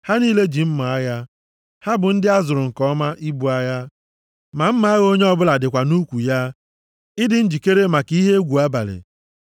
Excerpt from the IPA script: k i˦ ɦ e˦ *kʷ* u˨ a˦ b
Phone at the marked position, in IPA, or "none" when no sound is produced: ɡʷ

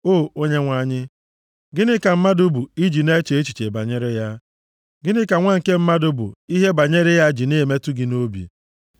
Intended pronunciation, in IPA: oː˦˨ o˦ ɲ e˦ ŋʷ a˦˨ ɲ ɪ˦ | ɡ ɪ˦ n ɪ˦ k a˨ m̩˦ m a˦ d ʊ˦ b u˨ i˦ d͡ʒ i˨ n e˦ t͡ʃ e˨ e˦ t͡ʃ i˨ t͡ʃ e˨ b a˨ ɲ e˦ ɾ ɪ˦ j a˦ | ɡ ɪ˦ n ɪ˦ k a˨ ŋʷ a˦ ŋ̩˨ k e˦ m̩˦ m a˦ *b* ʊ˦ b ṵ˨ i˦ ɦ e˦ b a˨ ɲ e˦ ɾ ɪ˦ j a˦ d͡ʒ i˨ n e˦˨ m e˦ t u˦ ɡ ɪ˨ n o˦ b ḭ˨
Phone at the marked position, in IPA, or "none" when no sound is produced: d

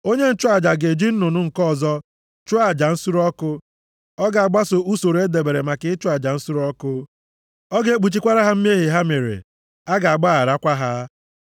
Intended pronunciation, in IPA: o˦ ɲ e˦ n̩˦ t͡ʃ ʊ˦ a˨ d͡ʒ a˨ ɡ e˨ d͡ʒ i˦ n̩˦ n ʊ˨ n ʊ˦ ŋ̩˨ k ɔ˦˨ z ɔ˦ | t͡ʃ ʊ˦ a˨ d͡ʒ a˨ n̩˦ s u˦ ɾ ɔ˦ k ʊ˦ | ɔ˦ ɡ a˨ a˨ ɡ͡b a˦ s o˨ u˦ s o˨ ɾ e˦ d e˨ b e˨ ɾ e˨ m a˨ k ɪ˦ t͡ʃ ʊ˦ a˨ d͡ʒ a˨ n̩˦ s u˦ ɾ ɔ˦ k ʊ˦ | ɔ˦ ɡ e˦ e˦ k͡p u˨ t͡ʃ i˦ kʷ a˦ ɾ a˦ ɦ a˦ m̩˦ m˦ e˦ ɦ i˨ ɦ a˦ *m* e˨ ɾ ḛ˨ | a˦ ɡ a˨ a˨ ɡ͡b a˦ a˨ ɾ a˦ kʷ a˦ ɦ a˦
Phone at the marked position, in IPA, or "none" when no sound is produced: m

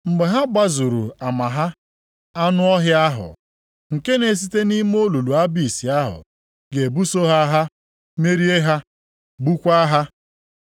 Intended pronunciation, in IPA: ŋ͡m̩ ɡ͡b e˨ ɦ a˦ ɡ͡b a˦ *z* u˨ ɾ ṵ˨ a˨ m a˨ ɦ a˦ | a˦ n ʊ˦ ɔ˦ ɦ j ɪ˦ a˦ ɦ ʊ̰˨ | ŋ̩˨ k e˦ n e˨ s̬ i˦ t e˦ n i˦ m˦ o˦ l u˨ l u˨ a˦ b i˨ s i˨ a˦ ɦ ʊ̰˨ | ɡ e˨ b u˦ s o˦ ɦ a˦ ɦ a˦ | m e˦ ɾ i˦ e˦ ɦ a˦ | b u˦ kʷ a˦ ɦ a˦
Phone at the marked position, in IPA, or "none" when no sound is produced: z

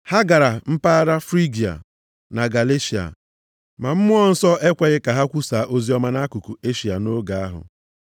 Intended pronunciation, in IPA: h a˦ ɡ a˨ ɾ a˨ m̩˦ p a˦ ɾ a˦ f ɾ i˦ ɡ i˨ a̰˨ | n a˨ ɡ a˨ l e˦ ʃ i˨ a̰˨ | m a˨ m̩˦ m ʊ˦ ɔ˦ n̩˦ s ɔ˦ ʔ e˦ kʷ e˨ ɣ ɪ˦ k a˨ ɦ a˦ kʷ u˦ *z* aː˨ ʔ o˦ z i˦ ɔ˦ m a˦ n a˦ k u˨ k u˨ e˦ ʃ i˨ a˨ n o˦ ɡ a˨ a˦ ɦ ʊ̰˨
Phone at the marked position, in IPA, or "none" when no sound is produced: s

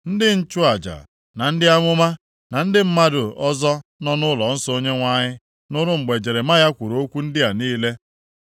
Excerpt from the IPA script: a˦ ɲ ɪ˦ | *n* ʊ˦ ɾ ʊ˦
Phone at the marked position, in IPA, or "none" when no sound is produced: n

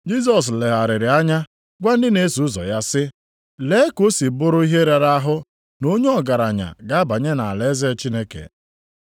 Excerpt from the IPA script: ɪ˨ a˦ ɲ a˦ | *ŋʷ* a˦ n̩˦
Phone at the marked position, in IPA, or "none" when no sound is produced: ɡʷ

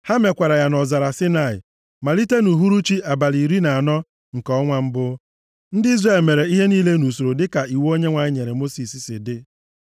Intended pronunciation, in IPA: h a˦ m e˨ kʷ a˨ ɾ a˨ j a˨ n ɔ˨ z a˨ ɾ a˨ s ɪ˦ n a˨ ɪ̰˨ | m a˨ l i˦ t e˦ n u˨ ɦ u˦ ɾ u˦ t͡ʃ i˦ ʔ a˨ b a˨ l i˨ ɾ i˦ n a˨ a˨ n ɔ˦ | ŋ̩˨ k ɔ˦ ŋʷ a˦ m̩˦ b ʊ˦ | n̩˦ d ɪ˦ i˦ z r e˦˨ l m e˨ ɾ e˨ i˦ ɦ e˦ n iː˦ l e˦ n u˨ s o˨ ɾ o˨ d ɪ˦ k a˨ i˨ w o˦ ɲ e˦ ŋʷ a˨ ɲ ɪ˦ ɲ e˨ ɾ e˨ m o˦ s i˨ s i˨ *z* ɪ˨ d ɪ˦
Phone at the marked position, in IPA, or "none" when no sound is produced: s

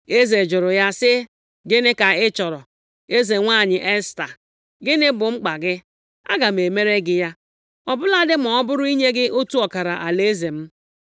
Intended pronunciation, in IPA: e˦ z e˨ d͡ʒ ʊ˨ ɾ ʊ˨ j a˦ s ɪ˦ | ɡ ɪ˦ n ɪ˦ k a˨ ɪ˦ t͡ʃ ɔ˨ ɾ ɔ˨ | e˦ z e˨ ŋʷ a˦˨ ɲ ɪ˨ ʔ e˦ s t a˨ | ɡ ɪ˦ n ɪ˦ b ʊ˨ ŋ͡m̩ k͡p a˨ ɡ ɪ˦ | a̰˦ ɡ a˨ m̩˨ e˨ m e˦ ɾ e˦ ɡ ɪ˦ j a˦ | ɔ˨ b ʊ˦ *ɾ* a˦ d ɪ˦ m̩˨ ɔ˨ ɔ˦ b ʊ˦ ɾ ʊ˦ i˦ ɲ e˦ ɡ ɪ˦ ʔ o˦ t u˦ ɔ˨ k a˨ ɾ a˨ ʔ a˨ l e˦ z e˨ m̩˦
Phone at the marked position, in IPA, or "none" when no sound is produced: l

